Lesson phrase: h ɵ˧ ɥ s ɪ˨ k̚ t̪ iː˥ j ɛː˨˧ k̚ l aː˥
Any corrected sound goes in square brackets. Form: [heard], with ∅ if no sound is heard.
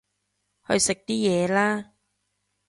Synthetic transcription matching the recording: h ɵ˧ ɥ s ɪ˨ k̚ t̪ iː˥ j ɛː˨˧ [∅] l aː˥